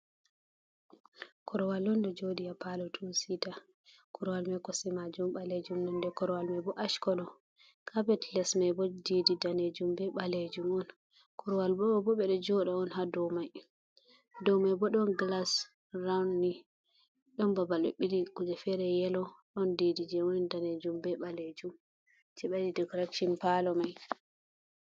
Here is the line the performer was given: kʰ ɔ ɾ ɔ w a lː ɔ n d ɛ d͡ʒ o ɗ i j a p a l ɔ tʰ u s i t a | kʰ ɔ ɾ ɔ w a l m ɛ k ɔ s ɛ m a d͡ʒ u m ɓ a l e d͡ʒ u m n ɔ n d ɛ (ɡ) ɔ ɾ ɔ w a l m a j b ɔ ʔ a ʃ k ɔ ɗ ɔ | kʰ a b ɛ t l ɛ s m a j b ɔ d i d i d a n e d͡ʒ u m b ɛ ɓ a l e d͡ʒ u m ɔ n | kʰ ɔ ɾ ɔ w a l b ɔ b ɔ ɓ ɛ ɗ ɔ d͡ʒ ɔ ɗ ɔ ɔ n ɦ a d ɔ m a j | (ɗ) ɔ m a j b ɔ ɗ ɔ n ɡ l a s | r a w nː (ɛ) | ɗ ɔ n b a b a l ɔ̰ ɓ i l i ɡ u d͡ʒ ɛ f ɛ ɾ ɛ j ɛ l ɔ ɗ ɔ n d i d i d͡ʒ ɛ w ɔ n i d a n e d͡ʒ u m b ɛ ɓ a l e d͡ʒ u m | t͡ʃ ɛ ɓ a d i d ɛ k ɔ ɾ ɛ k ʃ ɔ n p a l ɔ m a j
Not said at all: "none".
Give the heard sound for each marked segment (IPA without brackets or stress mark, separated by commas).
k, d, i